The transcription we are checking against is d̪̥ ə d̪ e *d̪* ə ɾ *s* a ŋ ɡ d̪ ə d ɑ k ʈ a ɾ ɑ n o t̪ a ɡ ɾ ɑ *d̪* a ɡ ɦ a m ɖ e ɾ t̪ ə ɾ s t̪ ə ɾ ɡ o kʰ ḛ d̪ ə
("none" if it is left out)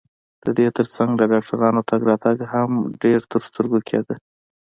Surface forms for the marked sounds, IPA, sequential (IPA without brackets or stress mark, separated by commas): t̪, t͡s, t̪